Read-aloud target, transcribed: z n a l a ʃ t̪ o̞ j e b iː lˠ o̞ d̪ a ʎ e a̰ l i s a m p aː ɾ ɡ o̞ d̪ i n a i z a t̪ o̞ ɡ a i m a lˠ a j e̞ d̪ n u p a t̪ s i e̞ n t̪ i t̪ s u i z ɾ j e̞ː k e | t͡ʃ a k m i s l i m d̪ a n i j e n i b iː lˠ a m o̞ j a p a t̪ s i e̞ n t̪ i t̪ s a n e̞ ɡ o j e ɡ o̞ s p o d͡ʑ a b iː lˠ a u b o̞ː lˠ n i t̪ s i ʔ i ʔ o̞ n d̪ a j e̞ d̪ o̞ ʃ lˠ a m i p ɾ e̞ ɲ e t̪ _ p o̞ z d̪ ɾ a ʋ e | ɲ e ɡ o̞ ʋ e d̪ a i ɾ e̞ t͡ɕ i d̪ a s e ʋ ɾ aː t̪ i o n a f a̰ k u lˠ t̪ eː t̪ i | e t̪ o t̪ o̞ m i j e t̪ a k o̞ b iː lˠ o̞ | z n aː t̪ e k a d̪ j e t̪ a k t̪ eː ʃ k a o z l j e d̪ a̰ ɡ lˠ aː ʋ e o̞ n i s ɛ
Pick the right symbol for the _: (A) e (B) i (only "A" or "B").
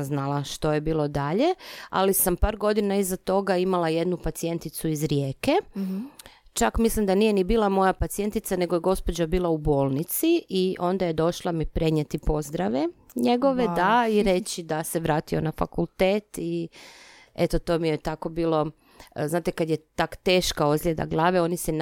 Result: B